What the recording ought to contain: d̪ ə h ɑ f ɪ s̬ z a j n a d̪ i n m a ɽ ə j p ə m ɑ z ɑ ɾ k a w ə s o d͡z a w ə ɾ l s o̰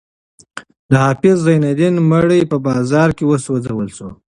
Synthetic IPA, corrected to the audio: d̪ ə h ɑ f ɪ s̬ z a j n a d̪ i n m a ɽ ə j p ə b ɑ z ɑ ɾ k e w ə s o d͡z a w ə l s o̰